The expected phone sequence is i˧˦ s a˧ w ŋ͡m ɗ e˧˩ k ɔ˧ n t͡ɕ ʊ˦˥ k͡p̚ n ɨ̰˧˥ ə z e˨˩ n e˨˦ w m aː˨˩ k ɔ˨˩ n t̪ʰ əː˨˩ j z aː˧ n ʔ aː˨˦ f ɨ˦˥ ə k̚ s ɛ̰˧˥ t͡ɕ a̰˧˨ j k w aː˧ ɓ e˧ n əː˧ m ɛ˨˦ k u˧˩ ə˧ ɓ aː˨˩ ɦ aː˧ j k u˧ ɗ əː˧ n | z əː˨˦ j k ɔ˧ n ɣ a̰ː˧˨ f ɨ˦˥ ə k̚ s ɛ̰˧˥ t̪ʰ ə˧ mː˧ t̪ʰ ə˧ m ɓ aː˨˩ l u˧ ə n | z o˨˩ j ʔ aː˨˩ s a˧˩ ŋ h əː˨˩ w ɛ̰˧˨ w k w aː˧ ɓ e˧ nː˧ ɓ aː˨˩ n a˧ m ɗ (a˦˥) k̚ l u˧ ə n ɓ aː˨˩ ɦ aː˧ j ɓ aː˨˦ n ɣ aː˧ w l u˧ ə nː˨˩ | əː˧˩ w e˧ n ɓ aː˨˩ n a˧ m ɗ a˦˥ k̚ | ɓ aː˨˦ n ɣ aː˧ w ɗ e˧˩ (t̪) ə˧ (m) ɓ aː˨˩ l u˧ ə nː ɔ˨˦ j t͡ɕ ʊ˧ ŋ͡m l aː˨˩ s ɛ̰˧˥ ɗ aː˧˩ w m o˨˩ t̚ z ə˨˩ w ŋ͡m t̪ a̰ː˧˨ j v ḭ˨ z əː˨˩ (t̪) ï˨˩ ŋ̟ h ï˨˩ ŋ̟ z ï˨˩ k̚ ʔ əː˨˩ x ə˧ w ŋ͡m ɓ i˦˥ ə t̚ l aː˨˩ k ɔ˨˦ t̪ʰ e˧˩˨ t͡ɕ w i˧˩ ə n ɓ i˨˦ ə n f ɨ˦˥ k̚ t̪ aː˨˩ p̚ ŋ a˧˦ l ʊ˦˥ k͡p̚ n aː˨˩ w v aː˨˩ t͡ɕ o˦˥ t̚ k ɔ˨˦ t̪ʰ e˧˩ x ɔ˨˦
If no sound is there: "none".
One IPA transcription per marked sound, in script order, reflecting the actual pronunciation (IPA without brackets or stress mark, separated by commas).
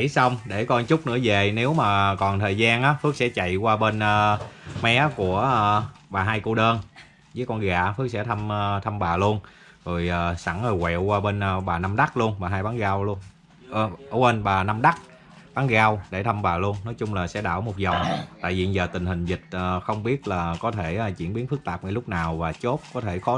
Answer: a˦˥, t̪ʰ, m, t̪